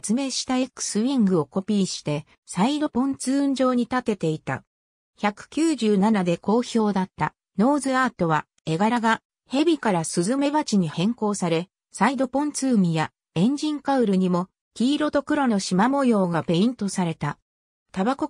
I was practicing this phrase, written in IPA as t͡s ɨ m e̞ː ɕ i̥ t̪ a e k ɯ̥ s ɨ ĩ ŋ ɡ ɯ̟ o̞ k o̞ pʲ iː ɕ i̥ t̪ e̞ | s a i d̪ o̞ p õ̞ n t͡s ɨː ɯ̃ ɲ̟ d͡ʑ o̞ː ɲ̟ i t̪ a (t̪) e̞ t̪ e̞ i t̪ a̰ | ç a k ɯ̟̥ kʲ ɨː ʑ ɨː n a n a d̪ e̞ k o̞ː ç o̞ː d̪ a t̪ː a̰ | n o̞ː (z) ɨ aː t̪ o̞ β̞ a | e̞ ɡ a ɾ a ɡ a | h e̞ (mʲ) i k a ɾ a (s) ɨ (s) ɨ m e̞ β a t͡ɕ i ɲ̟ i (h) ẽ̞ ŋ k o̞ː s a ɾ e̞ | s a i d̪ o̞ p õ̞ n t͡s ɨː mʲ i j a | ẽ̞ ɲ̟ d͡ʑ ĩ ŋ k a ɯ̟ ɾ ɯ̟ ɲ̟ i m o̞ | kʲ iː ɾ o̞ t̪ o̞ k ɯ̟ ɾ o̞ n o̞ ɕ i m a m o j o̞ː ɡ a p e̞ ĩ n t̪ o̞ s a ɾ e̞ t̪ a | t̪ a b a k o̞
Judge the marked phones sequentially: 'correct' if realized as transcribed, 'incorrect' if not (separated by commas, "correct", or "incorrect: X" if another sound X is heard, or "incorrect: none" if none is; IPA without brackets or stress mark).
correct, correct, incorrect: bʲ, correct, incorrect: z, correct